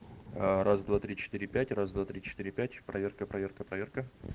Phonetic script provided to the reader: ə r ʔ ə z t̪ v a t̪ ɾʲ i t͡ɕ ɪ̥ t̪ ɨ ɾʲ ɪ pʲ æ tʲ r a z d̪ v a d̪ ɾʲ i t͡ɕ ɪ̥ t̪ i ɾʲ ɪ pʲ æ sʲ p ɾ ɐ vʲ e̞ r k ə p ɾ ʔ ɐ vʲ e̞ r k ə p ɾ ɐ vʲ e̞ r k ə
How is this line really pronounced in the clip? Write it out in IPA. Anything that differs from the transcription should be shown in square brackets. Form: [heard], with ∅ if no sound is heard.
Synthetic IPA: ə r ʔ [a] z [d̪] v a t̪ ɾʲ i t͡ɕ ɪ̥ t̪ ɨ ɾʲ ɪ pʲ æ tʲ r a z d̪ v a [t̪] ɾʲ i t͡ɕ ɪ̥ t̪ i ɾʲ ɪ pʲ æ [tʲ] p ɾ ɐ vʲ e̞ r k ə p ɾ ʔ ɐ vʲ e̞ r k ə p ɾ ɐ vʲ e̞ r k ə

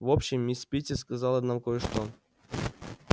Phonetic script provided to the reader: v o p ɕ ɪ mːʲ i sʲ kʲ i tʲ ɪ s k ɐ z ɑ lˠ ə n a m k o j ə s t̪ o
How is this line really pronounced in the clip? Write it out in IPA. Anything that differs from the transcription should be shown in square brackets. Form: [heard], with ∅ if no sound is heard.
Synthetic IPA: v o p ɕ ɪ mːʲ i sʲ [pʲ] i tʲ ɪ s k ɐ z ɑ lˠ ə n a m k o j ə [ʂ] t̪ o

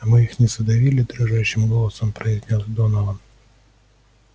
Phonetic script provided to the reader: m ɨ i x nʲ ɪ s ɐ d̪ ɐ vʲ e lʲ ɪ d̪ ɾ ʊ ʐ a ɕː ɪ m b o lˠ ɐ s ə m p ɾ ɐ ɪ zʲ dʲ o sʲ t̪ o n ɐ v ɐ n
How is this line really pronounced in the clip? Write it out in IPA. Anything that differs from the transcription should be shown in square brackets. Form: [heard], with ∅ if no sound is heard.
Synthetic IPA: m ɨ i x nʲ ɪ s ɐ d̪ ɐ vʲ [i] lʲ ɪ d̪ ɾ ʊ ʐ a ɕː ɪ m [ɡ] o lˠ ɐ s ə m p ɾ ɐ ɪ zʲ [nʲ] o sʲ [d̪] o n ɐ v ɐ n

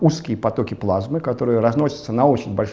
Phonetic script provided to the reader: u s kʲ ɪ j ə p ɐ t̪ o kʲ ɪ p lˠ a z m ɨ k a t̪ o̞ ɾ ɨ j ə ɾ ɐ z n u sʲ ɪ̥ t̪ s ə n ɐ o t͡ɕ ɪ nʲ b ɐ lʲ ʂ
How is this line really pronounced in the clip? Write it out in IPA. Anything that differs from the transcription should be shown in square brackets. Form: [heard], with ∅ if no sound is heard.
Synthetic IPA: u s kʲ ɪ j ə p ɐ t̪ o kʲ ɪ p lˠ a z m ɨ k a t̪ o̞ ɾ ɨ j ə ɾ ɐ z n [o] sʲ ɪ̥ t̪ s ə n ɐ o t͡ɕ ɪ nʲ b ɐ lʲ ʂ

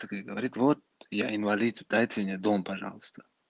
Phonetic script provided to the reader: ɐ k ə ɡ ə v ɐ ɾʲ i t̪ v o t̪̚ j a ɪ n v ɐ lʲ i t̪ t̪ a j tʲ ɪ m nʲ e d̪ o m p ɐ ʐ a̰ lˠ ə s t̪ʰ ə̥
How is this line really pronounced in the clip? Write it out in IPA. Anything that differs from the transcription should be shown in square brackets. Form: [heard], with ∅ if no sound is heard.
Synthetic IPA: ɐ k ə ɡ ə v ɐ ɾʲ i t̪ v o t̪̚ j a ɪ n v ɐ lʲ i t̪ [d̪] a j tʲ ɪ m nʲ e d̪ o m p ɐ ʐ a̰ lˠ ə s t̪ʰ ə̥

